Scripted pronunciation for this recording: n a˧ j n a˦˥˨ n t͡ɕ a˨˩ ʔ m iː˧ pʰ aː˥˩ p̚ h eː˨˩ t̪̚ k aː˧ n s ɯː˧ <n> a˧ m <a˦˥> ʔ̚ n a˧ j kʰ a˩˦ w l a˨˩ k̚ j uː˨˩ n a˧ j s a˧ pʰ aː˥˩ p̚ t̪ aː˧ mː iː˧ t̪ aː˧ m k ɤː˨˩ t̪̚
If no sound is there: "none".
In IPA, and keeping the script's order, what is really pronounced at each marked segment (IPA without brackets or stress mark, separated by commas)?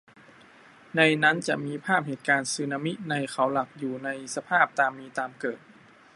n, i˦˥